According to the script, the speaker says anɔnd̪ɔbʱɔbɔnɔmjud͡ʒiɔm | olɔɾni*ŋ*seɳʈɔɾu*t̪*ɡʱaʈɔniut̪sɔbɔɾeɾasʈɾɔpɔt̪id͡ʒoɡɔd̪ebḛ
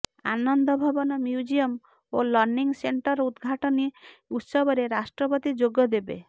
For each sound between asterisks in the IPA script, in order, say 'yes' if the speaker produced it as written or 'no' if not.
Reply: yes, no

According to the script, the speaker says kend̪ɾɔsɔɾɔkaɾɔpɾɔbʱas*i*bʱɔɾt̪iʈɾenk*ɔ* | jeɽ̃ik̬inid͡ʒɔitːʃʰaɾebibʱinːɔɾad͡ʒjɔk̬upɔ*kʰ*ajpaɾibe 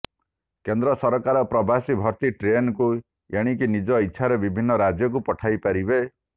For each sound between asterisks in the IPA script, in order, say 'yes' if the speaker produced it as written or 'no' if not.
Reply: yes, no, no

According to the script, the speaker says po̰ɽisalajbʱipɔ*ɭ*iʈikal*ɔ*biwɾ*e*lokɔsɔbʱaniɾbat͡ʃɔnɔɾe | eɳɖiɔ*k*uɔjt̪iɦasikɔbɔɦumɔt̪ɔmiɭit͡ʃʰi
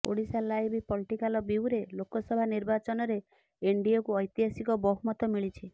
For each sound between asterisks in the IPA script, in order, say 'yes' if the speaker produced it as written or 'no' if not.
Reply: no, yes, yes, yes

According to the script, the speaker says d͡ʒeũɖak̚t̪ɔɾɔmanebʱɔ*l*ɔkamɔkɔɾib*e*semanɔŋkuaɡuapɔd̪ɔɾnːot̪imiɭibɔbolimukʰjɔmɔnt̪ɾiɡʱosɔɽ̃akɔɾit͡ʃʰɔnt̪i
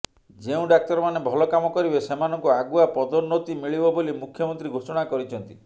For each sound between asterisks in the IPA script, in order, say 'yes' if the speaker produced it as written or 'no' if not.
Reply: yes, yes

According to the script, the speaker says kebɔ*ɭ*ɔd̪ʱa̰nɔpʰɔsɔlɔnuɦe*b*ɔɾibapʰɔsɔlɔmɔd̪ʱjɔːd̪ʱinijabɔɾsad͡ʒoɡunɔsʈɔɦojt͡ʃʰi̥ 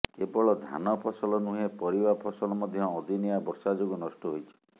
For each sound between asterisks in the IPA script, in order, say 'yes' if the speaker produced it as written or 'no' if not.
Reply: yes, no

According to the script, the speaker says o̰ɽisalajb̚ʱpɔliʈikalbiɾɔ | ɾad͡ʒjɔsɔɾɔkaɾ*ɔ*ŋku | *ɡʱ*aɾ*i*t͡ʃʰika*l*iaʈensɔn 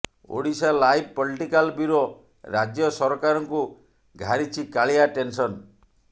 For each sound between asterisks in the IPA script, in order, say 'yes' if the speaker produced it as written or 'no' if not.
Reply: yes, yes, yes, no

